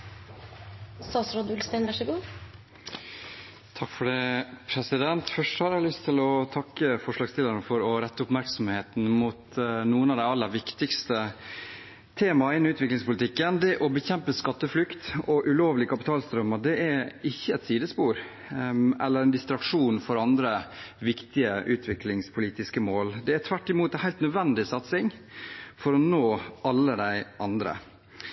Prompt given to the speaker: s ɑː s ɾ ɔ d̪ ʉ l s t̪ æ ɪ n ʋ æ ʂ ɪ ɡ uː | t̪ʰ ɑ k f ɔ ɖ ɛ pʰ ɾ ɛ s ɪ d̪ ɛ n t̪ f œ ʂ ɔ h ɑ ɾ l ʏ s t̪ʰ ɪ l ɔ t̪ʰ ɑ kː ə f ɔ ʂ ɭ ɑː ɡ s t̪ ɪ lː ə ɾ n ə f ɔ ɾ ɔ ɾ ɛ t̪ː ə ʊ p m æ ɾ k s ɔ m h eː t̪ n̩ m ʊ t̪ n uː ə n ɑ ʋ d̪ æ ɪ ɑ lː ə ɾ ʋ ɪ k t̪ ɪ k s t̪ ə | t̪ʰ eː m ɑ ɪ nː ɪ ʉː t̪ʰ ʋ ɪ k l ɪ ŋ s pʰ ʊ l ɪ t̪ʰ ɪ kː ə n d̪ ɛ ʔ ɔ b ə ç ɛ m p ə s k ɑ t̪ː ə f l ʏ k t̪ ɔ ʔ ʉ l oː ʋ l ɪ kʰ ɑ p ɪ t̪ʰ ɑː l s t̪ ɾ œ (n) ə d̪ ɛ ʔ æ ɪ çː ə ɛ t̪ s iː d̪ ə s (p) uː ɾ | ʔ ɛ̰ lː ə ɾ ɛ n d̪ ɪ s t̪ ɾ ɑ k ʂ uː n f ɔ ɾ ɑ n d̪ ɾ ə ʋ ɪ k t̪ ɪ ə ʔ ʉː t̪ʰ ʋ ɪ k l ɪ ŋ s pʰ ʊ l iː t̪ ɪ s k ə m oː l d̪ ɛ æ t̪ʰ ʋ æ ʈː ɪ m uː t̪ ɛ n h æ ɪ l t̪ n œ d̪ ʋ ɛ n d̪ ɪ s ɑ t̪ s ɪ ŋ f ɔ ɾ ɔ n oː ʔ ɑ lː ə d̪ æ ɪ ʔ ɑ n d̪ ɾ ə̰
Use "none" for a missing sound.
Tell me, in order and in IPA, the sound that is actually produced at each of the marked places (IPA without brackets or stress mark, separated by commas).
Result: m, p